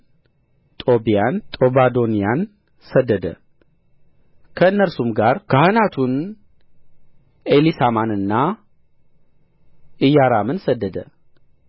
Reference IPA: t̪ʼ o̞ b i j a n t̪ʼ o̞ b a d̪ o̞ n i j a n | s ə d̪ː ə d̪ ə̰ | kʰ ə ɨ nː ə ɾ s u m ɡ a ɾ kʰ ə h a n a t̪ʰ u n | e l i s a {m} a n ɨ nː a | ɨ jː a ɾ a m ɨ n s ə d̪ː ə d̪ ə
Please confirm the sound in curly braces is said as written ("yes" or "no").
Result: yes